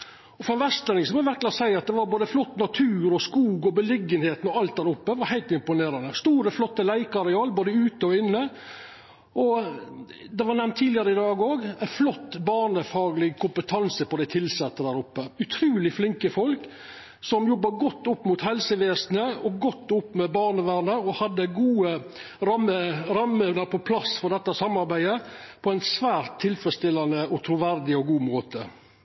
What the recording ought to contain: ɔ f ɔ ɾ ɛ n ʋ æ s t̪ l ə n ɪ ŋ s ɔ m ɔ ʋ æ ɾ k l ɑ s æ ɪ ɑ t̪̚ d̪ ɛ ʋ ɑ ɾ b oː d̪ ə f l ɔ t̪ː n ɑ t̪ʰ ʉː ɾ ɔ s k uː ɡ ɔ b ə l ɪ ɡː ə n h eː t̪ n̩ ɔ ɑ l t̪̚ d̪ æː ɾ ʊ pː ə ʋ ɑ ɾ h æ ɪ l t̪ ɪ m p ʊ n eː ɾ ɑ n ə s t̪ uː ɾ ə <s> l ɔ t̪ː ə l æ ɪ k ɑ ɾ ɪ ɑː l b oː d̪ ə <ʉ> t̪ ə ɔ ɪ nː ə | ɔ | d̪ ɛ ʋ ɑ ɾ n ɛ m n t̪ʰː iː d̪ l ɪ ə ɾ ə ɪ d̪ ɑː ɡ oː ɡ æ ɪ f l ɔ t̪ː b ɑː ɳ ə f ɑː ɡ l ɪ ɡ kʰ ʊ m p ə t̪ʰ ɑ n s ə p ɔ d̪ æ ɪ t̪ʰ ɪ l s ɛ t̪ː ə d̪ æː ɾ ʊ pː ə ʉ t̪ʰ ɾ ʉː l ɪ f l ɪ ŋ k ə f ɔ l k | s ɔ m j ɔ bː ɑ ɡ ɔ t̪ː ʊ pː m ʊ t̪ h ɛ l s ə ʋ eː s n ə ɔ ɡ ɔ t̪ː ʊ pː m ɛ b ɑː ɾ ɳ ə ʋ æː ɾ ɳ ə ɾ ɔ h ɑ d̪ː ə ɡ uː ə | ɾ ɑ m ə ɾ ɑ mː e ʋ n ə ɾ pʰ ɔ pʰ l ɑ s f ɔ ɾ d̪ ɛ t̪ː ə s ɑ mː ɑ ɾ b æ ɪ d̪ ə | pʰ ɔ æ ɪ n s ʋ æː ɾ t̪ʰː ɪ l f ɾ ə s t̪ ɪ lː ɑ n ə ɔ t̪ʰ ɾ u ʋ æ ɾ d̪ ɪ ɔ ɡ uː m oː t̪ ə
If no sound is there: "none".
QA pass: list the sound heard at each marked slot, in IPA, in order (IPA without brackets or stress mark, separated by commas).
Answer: f, ʉː